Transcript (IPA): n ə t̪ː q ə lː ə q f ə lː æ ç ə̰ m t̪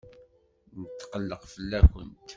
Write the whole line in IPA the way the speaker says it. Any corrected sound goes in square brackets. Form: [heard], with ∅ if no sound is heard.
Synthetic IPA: n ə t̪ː q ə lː ə q f ə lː æ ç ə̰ [n] t̪